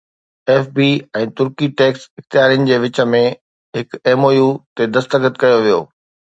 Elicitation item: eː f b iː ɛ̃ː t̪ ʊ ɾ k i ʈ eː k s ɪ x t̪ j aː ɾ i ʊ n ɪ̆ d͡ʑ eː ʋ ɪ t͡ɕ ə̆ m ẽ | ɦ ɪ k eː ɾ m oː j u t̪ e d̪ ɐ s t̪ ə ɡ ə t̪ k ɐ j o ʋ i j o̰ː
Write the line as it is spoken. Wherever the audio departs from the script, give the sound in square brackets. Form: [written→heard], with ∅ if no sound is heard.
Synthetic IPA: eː f b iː ɛ̃ː t̪ ʊ ɾ k i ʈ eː k s ɪ x t̪ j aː ɾ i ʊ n ɪ̆ d͡ʑ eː ʋ ɪ t͡ɕ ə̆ m ẽ | ɦ ɪ k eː [ɾ→∅] m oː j u t̪ e d̪ ɐ s t̪ ə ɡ ə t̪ k ɐ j o ʋ i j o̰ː